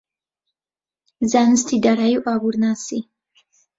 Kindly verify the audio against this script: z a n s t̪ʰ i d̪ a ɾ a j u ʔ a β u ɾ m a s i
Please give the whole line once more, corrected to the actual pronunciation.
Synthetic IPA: z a n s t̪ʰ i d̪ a ɾ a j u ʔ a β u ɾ n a s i